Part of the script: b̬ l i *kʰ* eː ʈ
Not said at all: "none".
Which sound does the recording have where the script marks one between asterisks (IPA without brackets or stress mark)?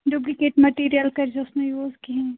k